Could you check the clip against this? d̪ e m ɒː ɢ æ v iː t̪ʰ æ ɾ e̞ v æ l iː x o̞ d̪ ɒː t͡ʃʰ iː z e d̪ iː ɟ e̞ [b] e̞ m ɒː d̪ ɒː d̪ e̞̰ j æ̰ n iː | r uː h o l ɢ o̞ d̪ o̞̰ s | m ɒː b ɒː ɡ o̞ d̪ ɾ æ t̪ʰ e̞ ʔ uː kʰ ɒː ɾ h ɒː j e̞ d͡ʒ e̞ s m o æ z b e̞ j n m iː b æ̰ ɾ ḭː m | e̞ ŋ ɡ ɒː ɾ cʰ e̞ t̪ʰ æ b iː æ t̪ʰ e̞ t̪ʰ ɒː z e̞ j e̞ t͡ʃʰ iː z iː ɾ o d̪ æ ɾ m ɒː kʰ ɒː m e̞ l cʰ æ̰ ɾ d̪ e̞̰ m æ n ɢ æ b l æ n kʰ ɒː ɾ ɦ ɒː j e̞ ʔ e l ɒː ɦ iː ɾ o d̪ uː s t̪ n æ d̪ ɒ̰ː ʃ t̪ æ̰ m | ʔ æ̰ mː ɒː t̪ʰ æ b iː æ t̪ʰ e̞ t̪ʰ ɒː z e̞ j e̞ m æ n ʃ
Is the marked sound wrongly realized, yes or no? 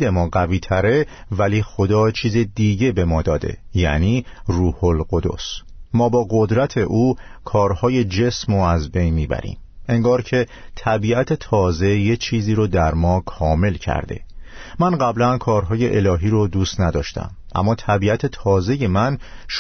no